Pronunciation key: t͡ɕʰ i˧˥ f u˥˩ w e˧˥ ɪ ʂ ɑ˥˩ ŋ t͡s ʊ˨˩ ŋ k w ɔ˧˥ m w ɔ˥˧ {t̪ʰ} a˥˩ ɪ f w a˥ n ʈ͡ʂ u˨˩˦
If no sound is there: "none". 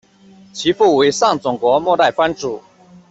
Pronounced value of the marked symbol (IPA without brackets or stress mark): t̪